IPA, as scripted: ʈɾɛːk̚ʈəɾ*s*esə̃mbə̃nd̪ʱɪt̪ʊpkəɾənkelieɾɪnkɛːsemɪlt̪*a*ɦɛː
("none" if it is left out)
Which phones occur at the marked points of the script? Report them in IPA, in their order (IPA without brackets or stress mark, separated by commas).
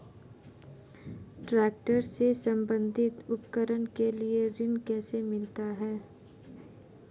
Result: s, a